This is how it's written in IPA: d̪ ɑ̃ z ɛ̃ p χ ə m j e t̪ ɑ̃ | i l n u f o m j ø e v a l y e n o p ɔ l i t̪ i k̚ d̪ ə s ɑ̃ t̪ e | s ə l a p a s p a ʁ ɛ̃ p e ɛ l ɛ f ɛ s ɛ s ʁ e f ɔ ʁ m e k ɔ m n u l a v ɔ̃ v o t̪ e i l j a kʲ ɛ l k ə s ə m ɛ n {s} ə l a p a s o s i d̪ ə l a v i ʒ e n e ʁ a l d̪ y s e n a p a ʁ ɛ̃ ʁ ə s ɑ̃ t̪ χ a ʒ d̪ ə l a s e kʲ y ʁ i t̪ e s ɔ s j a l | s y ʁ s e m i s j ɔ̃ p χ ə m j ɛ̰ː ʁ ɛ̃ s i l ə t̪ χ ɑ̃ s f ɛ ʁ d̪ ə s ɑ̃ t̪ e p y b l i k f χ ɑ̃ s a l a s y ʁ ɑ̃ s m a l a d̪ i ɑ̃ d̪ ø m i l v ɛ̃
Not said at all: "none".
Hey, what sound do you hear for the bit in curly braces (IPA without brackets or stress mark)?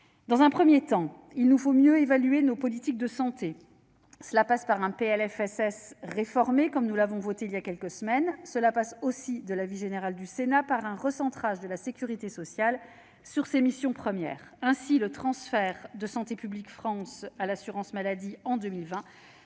s